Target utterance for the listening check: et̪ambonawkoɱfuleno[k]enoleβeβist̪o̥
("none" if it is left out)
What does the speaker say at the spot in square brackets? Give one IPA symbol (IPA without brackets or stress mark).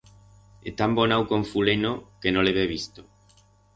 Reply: k